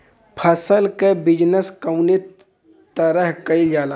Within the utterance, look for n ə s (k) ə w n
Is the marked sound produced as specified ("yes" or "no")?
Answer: yes